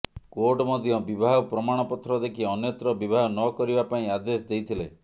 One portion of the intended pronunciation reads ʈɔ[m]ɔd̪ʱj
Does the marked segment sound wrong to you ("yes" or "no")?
no